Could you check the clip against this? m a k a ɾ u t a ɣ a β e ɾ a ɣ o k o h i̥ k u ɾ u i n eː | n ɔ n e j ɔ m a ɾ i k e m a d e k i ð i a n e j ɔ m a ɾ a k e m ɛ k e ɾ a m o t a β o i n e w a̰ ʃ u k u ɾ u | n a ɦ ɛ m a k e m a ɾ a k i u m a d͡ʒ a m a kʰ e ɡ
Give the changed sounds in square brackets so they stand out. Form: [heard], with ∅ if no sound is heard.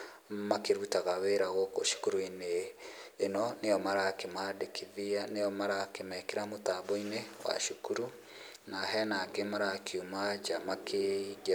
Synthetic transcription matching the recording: m a k [e] ɾ u t a ɣ a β e ɾ a ɣ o k o [ʃ] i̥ k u ɾ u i n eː | n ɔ n e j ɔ m a ɾ [a] k e m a d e k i ð i a n e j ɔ m a ɾ a k e m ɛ k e ɾ a m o t a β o i n e w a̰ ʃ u k u ɾ u | n a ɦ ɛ [n] a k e m a ɾ a k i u m a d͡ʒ a m a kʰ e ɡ